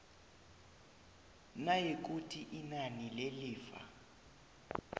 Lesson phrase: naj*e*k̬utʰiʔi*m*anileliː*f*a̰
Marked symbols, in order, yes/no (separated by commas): yes, no, yes